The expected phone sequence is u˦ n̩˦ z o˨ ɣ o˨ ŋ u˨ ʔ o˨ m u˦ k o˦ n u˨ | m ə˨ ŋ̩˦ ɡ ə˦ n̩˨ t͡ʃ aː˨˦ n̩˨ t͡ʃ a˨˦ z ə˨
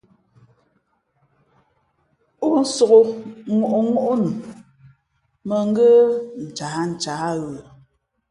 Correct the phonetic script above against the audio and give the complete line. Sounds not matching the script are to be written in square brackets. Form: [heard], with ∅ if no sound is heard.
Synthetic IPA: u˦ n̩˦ [s] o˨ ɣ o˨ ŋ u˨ ʔ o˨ [ŋ] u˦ [ʔ] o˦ n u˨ | m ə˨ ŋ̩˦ ɡ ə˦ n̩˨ t͡ʃ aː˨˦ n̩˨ t͡ʃ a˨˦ [ɣ] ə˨